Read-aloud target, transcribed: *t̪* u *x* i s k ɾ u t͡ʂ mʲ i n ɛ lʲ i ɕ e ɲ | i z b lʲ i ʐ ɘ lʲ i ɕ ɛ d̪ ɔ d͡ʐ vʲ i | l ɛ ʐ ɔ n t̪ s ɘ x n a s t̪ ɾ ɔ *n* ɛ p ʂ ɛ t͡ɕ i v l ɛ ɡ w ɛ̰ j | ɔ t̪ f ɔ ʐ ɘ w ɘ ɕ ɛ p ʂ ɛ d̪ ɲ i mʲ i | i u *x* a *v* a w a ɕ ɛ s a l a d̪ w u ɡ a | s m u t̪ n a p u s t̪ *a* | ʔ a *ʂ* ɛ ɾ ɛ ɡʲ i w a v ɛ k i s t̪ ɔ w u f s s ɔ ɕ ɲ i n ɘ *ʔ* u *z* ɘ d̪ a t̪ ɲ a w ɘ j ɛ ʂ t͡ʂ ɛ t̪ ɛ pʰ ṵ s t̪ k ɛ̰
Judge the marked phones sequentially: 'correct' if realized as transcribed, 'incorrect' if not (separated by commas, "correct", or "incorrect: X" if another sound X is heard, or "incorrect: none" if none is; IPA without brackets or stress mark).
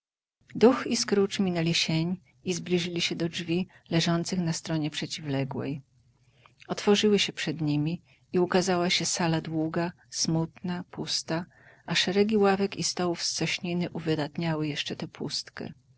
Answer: incorrect: d̪, correct, incorrect: ɲ, incorrect: k, incorrect: z, correct, correct, correct, incorrect: v